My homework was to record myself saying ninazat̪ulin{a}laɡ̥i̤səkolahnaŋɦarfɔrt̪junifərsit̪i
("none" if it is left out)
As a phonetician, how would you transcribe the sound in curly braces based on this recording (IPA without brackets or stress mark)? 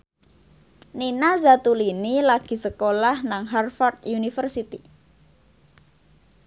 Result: i